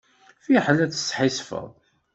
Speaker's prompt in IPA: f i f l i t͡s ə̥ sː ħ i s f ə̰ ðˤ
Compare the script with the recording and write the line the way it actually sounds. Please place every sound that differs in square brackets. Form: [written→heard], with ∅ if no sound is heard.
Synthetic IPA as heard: f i [f→ħ] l [i→æ] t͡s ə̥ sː ħ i s f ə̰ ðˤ